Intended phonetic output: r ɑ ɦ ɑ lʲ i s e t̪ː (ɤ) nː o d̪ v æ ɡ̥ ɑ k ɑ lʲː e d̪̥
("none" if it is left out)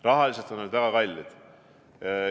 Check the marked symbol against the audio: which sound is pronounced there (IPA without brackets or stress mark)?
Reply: o